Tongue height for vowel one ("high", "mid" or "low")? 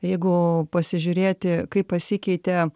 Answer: mid